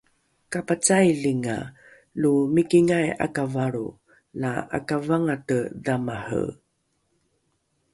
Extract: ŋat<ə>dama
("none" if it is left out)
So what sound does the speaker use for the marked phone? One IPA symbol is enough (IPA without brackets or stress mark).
ə